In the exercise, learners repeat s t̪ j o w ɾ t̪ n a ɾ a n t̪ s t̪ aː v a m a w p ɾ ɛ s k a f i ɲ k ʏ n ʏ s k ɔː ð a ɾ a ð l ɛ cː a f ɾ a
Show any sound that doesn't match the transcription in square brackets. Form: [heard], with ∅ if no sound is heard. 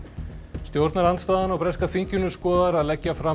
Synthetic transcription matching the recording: s t̪ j o w ɾ t̪ n a ɾ a n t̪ s t̪ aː [ð] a [n] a w p ɾ ɛ s k a f i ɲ [c] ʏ n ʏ s k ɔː ð a ɾ a ð l ɛ cː a f ɾ a